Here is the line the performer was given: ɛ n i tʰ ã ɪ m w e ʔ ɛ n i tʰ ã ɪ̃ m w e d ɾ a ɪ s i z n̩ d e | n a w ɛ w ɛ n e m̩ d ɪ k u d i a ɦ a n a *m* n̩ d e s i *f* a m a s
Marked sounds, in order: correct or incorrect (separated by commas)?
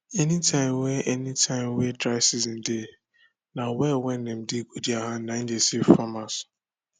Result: incorrect, correct